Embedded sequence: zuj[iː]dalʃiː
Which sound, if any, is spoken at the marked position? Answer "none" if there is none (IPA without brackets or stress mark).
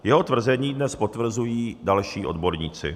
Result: iː